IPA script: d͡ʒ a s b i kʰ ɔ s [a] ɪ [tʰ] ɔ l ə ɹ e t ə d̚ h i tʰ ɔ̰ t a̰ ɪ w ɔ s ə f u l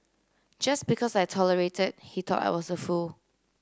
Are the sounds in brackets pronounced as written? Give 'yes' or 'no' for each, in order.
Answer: yes, yes

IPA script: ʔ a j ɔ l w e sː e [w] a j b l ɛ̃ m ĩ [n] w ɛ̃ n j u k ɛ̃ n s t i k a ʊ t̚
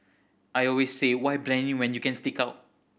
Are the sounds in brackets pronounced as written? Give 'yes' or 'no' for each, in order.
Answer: yes, no

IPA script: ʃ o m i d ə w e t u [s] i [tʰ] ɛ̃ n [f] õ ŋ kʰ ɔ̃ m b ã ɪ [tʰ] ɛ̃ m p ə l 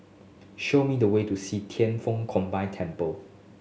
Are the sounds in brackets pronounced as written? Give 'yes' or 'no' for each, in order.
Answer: yes, yes, yes, yes

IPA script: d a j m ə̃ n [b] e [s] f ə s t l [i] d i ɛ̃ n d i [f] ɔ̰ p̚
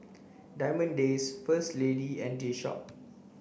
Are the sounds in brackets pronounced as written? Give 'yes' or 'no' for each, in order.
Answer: no, yes, no, no

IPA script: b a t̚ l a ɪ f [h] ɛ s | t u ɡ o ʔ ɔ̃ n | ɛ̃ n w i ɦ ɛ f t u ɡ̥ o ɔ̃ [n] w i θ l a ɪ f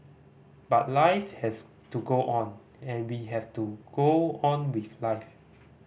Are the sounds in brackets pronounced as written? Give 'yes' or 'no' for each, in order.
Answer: yes, yes

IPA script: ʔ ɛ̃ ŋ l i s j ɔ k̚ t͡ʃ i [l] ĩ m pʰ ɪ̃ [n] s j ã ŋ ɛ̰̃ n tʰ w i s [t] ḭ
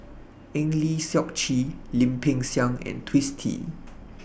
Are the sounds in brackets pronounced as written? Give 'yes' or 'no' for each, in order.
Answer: yes, no, no

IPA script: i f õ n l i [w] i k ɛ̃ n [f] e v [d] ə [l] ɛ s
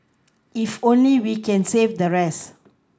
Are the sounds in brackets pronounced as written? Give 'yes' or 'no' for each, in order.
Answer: yes, no, yes, no

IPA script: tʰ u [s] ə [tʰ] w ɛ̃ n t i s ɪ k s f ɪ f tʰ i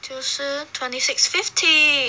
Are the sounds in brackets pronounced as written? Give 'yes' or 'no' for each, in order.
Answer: yes, yes

